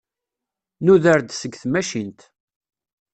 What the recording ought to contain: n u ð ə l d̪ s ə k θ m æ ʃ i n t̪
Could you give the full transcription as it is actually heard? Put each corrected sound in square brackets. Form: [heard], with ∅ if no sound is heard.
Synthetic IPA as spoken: n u ð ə [ɾ] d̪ s ə [ɡ] θ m æ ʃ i n t̪

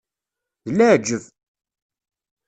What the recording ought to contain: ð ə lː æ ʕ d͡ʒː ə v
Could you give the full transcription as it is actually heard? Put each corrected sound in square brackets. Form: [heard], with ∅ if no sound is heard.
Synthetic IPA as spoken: ð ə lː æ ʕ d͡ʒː ə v

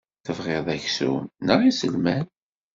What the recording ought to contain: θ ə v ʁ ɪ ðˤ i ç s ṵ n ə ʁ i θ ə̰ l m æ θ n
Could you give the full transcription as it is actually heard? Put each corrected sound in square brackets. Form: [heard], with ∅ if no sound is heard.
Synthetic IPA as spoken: θ ə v ʁ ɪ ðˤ [æ] ç s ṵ n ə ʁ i [s] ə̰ l m æ [∅] n

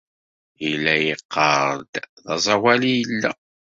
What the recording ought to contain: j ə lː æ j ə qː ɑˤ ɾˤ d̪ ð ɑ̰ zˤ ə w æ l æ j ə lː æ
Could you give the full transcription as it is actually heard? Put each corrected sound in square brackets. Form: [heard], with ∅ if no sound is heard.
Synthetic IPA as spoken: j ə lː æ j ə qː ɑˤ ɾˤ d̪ ð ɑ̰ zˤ [ɑ] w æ l [i] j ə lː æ

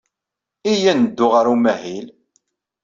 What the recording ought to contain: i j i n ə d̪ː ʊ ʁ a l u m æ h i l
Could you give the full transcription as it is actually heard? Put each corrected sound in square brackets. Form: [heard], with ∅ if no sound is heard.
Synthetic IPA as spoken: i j [æ] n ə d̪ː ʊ ʁ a [ɾ] u m æ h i l

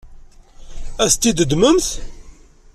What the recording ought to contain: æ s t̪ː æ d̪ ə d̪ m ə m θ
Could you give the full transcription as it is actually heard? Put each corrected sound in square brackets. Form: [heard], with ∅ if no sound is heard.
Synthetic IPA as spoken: æ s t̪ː [i] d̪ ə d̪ m ə m θ

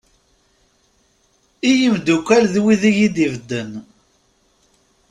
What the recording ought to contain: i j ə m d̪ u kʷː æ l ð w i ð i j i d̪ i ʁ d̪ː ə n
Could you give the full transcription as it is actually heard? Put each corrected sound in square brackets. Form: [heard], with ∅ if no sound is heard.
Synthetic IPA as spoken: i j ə m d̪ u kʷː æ l ð w i ð i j i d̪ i [v] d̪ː ə n

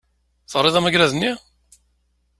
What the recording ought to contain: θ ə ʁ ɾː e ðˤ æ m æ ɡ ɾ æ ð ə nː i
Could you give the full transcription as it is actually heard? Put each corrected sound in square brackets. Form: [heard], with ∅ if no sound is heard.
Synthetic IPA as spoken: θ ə ʁ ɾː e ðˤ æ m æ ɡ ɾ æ ð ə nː i

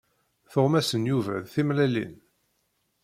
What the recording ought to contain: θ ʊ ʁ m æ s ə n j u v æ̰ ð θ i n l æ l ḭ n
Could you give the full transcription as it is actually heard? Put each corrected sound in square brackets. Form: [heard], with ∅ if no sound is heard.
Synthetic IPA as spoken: θ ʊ ʁ m æ s ə n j u v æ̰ ð θ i [m] l æ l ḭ n

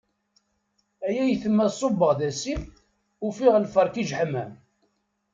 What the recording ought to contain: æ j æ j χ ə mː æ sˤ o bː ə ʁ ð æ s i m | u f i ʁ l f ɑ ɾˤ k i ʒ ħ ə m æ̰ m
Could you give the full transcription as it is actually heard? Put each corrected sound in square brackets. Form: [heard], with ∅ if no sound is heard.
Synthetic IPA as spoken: æ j æ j [θ] ə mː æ sˤ o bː ə ʁ ð æ s i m | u f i ʁ l f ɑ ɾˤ k i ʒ ħ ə m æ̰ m

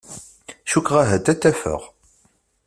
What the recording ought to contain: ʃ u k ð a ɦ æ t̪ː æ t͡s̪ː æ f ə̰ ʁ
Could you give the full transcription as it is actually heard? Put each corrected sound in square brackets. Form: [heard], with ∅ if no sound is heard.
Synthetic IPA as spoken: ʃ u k [ʁ] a ɦ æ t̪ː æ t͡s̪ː æ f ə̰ ʁ

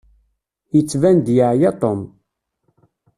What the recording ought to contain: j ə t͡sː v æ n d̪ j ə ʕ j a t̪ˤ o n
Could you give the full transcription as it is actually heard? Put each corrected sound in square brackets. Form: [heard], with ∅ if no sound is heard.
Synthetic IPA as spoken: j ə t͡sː v æ n d̪ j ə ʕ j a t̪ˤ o [m]

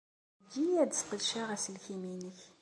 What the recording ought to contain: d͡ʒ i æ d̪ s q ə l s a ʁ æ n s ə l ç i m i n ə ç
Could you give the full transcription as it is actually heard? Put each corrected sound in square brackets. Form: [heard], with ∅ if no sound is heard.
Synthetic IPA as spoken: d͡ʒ i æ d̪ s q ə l [ʃ] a ʁ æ [∅] s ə l ç i m i n ə ç

